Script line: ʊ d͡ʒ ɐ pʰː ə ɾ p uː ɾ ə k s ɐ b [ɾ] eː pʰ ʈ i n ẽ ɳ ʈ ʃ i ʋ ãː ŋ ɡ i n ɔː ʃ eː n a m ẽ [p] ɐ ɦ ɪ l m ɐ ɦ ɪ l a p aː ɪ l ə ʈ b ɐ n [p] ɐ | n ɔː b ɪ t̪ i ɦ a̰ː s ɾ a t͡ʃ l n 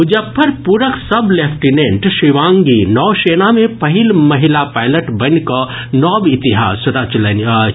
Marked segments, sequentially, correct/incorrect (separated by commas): incorrect, correct, incorrect